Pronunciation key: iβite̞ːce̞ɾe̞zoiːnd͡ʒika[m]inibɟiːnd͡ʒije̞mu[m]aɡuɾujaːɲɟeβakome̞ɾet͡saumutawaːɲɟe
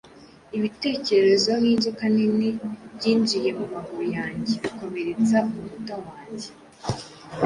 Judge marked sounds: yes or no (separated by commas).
no, yes